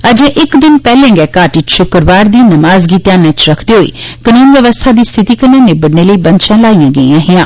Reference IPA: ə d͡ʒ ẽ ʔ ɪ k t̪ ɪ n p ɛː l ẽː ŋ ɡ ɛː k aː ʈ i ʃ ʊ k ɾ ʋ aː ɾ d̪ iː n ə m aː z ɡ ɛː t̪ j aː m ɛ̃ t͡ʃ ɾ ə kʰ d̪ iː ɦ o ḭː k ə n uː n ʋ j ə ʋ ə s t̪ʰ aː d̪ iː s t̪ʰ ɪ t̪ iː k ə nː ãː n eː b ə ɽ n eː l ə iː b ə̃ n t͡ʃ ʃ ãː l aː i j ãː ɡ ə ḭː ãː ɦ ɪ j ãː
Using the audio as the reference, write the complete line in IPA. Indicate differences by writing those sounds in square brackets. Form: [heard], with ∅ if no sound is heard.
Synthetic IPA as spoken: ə d͡ʒ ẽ ʔ ɪ k [d̪] ɪ n p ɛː l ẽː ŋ ɡ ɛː k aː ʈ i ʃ ʊ k ɾ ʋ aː ɾ d̪ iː n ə m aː z ɡ [iː] t̪ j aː [n] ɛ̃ t͡ʃ ɾ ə kʰ d̪ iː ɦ o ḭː k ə n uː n ʋ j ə ʋ ə s t̪ʰ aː d̪ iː s t̪ʰ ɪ t̪ iː k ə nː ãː n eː b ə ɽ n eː l ə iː b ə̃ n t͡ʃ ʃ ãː l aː i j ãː ɡ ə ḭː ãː ɦ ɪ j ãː